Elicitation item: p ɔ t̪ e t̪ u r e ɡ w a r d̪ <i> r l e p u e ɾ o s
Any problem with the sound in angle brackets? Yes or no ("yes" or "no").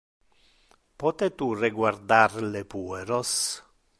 yes